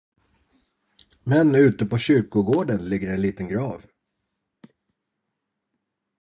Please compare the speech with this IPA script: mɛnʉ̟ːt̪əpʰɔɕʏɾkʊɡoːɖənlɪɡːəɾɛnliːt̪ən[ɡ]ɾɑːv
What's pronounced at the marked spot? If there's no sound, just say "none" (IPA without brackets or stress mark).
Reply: ɡ